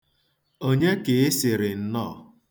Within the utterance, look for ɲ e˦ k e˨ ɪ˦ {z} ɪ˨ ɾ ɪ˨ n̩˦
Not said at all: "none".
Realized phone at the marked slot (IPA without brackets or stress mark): s